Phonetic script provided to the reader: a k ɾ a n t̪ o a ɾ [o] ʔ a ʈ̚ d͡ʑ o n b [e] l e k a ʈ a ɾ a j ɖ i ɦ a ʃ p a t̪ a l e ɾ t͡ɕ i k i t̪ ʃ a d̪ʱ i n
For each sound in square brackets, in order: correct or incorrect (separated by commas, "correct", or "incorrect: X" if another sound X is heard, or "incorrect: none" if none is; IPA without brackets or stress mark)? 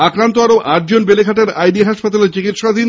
correct, correct